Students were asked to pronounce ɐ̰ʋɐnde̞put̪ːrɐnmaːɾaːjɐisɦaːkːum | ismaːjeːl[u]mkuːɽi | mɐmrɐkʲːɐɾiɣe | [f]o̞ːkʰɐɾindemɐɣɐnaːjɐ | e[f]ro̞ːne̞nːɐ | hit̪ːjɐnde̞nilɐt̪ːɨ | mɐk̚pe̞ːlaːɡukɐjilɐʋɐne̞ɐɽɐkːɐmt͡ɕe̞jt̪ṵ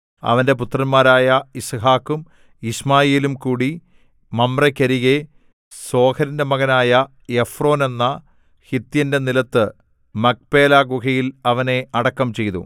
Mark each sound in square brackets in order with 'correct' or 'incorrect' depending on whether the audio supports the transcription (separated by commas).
correct, incorrect, correct